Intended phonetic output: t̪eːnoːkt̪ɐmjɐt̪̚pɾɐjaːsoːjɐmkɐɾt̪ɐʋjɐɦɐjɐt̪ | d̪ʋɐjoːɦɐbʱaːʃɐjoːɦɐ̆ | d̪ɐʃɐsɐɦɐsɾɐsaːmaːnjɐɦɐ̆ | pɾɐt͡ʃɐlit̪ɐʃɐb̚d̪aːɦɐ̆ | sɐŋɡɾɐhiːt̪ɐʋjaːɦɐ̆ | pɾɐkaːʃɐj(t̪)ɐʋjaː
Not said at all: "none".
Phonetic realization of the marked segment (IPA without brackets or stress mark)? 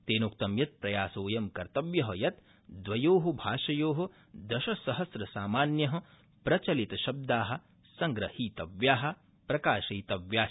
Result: t̪